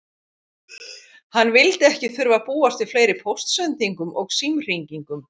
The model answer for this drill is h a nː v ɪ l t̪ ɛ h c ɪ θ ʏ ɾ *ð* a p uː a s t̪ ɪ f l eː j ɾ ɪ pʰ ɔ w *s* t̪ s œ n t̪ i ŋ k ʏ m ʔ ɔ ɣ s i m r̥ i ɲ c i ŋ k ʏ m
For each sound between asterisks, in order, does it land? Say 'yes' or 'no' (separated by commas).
no, yes